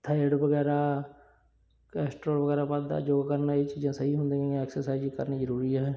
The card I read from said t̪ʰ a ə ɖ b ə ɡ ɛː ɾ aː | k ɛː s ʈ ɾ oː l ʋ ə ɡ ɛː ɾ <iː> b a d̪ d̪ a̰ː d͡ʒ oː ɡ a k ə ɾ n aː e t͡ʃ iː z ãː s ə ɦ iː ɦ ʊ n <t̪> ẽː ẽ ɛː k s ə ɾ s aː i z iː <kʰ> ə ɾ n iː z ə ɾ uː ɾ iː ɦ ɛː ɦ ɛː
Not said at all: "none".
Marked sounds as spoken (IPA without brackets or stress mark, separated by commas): aː, d̪, k